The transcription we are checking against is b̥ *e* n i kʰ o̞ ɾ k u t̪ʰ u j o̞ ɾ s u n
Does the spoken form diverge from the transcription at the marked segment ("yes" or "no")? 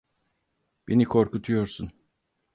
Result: no